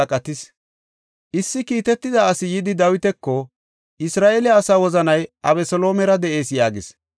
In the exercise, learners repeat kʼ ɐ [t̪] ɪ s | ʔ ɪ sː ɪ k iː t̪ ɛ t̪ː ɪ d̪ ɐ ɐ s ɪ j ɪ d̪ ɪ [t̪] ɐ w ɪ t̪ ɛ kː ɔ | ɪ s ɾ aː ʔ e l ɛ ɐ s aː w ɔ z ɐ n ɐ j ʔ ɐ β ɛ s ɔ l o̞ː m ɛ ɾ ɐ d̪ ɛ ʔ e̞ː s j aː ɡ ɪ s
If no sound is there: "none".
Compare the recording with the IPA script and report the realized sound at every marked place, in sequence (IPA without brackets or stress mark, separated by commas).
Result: t̪, d̪